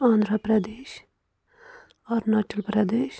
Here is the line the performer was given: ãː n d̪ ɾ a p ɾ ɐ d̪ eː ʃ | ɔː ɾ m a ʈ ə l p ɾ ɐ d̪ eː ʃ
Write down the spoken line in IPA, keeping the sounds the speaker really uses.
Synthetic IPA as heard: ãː n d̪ ɾ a p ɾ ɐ d̪ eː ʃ | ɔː ɾ n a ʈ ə l p ɾ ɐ d̪ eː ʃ